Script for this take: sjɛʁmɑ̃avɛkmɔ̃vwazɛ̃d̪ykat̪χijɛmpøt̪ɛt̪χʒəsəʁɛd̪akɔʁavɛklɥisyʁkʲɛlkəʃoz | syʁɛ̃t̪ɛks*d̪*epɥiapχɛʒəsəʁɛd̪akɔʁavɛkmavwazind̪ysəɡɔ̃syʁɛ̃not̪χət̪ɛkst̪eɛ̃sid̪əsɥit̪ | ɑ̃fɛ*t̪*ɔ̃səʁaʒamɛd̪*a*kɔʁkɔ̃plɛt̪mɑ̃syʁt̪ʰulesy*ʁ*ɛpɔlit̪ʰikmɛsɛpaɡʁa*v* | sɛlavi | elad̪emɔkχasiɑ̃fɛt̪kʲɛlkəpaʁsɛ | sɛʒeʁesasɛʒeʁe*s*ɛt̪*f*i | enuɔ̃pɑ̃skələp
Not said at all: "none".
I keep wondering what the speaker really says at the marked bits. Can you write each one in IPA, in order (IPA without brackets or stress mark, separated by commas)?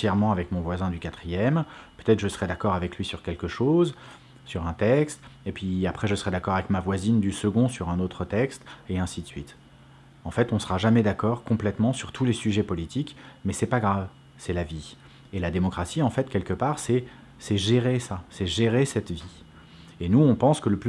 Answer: t̪, t̪, a, ʒ, v, s, v